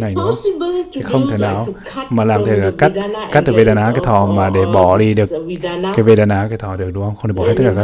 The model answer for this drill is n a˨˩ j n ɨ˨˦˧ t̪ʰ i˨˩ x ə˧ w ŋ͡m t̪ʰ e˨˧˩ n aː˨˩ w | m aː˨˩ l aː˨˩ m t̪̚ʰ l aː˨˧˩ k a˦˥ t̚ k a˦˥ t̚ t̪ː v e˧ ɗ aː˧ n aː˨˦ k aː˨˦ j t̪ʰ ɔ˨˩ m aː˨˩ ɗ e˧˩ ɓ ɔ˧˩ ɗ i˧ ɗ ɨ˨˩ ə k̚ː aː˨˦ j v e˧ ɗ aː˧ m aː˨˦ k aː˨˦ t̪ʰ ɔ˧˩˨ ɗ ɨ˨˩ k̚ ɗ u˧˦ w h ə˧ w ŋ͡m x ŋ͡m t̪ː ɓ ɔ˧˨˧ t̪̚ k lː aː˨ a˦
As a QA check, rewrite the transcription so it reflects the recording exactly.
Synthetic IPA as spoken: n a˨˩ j n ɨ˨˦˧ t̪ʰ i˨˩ x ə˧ w ŋ͡m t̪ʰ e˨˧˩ n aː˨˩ w | m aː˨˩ l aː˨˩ m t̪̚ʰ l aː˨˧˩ k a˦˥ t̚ k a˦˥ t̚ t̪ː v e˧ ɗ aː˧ n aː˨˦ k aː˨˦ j t̪ʰ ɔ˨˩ m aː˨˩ ɗ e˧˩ ɓ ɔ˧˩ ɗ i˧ ɗ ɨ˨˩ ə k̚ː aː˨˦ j v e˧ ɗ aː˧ n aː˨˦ k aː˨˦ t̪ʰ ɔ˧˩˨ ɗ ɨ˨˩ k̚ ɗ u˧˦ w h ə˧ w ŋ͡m x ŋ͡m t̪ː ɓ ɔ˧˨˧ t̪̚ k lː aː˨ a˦